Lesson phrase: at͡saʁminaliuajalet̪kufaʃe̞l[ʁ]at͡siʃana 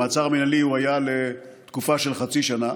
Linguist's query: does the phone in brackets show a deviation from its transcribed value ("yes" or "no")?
yes